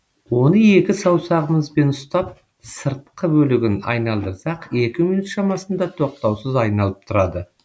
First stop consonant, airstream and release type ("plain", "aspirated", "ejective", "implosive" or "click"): plain